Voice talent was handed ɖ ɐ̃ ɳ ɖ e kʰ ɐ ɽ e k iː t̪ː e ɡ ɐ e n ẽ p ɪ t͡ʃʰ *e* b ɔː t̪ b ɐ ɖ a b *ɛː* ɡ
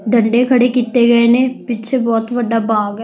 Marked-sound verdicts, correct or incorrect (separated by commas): correct, incorrect